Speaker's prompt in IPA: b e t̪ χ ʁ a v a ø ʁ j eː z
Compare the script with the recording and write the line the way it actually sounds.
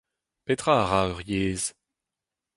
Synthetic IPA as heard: p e t̪ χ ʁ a ʁ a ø ʁ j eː z